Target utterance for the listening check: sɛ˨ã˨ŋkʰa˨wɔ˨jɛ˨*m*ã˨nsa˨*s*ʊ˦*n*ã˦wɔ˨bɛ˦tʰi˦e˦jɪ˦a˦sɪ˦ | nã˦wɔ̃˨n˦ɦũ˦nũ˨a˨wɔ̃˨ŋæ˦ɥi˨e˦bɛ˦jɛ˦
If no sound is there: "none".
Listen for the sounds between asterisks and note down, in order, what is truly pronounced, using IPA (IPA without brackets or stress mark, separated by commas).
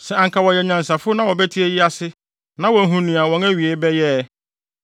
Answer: ɲ, f, n